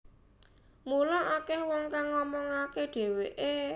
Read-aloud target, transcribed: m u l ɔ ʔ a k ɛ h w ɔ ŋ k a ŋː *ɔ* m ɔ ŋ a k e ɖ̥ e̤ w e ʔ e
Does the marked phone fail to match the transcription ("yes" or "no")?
no